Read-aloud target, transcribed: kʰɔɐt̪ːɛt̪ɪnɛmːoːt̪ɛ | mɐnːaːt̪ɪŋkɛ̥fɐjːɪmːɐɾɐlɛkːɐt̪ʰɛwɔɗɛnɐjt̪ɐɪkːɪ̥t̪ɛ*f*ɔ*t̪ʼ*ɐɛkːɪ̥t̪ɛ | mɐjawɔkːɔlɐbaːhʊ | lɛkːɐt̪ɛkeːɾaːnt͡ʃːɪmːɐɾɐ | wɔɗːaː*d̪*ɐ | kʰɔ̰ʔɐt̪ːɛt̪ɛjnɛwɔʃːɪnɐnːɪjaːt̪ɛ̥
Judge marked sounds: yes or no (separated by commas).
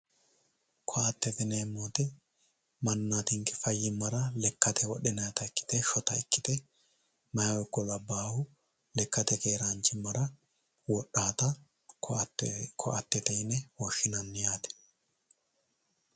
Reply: no, no, no